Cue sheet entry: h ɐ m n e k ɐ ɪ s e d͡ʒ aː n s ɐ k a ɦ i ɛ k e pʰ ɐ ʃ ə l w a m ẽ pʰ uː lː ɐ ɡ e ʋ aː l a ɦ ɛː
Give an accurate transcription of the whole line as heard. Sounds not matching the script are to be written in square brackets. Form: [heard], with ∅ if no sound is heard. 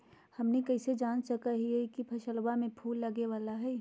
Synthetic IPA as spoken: h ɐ m n e k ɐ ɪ s e d͡ʒ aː n s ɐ k a ɦ i ɛ k [i] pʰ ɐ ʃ ə l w a m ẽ pʰ uː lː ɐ ɡ e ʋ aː l a ɦ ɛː